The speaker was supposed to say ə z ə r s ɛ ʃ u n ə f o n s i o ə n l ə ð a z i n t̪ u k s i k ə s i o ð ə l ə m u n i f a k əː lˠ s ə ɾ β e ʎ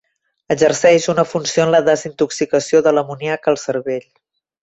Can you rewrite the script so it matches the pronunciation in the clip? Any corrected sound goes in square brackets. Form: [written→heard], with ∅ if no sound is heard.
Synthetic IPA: ə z ə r s ɛ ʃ u n ə f [o→u] n s i o ə n l ə ð [a→ə] z i n t̪ u k s i k ə s i o ð ə l ə m u n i [f→∅] a k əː lˠ s ə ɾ β e ʎ

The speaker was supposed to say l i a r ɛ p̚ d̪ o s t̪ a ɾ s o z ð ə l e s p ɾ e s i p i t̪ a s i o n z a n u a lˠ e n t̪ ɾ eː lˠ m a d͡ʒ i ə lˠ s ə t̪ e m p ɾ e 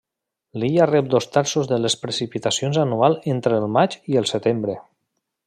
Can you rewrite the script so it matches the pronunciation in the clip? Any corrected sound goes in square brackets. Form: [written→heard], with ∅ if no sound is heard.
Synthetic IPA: l i a r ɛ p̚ d̪ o s t̪ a ɾ s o z ð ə l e s p ɾ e s i p i t̪ a s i o n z a n u a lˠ e n t̪ ɾ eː lˠ m a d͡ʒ i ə lˠ s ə t̪ e m [p→b] ɾ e

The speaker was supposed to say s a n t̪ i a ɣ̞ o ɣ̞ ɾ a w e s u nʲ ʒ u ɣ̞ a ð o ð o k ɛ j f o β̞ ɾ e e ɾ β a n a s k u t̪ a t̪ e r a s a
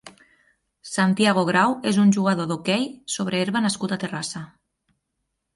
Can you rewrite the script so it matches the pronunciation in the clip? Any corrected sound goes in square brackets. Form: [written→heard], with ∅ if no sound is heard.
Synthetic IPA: s a n t̪ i a ɣ̞ o ɣ̞ ɾ a w e [s→z] u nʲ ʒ u ɣ̞ a ð o ð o k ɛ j [f→s] o β̞ ɾ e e ɾ β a n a s k u t̪ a t̪ e r a s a

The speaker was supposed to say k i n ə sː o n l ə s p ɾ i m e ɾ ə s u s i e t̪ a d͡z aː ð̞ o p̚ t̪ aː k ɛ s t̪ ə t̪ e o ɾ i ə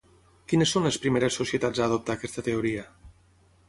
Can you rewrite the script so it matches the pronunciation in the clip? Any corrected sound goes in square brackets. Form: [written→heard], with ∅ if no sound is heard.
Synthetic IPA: k i n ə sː o n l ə s p ɾ i m e ɾ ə s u s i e t̪ a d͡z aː ð̞ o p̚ t̪ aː k ɛ s t̪ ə t̪ e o ɾ i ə

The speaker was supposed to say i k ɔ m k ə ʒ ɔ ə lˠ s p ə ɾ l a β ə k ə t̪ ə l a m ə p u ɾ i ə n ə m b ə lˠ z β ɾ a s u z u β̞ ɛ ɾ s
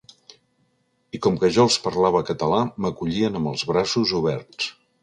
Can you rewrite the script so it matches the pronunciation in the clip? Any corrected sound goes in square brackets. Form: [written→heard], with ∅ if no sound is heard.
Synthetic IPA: i k ɔ m k ə ʒ ɔ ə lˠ s p ə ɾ l a β ə k ə t̪ ə l a m ə [p→k] u [ɾ→ʎ] i ə n ə m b ə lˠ z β ɾ a s u z u β̞ ɛ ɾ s

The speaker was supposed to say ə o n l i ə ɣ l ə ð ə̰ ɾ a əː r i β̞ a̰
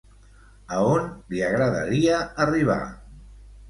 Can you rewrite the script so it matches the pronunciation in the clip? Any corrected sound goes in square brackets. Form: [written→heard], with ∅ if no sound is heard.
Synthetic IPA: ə o n l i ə ɣ [l→ɾ] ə ð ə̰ ɾ [a→i] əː r i β̞ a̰

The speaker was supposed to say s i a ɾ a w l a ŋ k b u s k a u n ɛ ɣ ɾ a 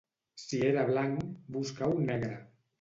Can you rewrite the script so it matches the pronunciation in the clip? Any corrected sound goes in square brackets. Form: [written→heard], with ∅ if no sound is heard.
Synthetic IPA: s i [a→e] ɾ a [w→β] l a ŋ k b u s k a [u→w] n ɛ ɣ ɾ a

